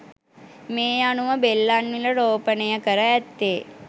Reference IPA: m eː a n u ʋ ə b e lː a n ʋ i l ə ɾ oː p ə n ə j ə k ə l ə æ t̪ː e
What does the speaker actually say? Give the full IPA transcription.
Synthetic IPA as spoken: m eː a n u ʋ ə b e lː a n ʋ i l ə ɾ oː p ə n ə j ə k ə ɾ ə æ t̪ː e